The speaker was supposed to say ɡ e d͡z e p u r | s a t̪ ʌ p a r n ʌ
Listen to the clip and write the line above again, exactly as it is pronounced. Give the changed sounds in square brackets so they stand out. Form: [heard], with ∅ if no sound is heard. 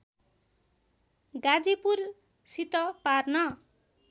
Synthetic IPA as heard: ɡ [a] d͡z [i] p u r | s [i] t̪ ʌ p a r n ʌ